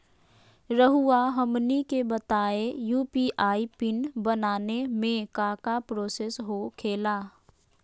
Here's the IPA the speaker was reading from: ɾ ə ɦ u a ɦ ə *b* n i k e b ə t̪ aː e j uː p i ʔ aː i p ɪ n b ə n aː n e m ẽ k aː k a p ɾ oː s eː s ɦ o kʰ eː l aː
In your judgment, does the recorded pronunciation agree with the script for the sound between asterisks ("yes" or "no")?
no